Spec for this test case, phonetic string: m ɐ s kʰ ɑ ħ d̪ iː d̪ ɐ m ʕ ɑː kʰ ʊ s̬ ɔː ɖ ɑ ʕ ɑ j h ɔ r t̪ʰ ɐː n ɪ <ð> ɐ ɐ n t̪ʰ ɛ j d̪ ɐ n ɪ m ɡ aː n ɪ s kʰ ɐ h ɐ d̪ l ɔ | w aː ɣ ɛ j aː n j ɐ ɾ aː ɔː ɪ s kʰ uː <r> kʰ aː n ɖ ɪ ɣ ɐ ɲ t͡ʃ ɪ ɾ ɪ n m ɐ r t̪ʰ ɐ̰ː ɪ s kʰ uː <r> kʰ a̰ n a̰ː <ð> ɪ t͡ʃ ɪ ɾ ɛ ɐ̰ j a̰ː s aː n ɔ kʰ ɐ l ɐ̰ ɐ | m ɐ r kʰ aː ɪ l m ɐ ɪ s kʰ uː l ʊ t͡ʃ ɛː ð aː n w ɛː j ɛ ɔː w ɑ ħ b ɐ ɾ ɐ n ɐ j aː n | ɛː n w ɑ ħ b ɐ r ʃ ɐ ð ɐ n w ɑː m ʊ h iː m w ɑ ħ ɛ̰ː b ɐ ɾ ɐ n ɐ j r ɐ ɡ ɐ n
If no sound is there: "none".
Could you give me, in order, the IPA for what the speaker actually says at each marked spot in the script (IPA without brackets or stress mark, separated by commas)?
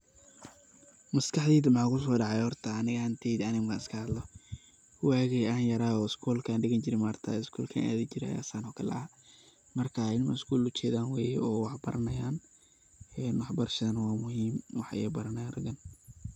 ɣ, l, l, ð